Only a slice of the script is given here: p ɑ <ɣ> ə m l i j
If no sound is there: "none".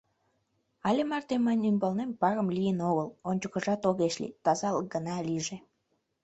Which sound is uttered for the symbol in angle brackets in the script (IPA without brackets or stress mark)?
ɣ